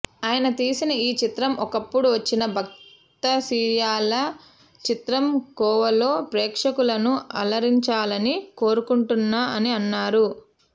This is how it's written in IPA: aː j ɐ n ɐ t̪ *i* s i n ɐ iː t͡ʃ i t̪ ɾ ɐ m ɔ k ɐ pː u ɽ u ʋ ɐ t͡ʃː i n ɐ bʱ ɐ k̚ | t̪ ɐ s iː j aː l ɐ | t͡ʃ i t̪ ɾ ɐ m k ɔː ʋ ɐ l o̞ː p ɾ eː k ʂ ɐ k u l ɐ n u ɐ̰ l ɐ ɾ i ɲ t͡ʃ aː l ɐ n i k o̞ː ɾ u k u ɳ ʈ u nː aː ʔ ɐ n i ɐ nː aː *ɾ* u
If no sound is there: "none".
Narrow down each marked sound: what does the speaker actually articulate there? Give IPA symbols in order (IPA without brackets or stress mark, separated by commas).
iː, ɾ